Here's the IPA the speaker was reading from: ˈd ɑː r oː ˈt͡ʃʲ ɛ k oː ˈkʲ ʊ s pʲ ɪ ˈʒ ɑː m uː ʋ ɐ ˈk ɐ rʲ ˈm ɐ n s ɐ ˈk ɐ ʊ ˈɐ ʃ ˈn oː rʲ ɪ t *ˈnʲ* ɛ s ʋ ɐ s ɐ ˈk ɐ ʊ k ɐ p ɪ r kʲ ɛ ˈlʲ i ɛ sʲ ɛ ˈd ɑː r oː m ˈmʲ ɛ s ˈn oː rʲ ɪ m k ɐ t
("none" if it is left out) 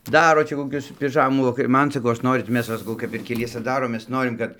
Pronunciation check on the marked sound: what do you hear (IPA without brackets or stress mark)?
mʲ